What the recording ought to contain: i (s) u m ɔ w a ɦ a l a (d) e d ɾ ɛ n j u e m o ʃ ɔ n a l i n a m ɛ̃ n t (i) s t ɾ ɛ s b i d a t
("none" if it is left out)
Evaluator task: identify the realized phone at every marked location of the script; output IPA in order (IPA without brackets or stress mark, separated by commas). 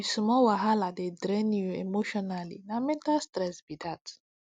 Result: s, d, a